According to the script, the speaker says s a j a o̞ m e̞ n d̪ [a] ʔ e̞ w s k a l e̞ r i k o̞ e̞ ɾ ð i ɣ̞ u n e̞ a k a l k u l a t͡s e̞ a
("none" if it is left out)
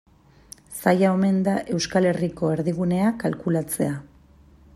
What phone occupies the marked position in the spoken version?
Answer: a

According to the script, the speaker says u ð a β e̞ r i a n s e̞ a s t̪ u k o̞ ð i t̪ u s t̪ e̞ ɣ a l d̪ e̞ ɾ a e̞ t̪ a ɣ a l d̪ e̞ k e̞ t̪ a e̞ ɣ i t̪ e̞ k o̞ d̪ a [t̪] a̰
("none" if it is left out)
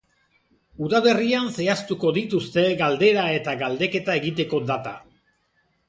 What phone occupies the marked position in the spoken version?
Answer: t̪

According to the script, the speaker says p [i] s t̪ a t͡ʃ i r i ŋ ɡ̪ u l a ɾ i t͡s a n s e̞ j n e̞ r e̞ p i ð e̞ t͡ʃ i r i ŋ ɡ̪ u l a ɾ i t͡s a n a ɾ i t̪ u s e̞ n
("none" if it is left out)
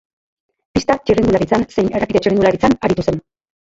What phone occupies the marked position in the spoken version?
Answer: i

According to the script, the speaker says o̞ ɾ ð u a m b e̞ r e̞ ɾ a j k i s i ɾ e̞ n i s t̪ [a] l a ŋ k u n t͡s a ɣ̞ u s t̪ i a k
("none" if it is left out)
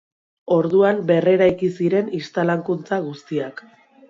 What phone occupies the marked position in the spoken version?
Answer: a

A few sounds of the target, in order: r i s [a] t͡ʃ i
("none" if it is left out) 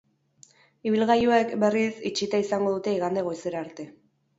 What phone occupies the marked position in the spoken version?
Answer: i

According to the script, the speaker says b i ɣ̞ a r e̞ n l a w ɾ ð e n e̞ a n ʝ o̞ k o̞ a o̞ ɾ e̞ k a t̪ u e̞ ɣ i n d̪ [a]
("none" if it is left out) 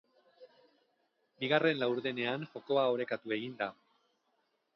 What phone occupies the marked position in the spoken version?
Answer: a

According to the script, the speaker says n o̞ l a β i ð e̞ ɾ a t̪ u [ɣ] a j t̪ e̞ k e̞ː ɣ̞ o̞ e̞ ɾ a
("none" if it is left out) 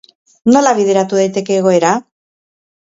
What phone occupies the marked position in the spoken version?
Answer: ð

